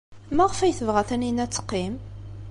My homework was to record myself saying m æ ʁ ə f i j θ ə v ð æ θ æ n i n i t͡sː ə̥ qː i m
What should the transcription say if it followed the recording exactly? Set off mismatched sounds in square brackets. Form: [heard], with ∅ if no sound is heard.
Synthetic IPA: m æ ʁ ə f [æ] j θ ə v [ʁ] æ θ æ n i n [æ] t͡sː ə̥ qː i m